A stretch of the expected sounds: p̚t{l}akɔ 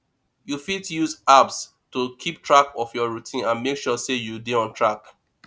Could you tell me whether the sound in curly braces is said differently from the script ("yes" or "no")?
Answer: yes